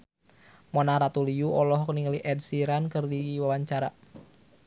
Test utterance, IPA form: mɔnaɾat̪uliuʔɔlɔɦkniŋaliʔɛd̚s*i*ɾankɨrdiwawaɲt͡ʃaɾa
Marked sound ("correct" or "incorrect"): correct